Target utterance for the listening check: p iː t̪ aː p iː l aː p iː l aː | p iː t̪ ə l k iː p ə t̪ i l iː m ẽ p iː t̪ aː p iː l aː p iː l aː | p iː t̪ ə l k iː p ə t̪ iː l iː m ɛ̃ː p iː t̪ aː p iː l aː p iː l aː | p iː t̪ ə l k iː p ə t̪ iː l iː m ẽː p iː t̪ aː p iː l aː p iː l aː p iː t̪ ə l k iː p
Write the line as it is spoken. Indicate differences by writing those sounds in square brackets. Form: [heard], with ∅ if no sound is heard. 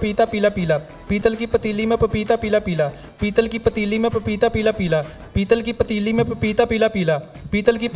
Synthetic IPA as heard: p iː t̪ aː p iː l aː p iː l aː | p iː t̪ ə l k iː p ə t̪ i l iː m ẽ p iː t̪ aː p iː l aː p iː l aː | p iː t̪ ə l k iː p ə t̪ iː l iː m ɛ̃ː p iː t̪ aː p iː l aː p iː l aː | p iː t̪ ə l k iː p ə t̪ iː l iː m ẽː p iː t̪ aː p iː l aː p iː l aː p iː t̪ ə l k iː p